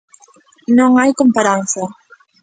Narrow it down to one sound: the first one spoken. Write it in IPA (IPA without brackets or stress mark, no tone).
n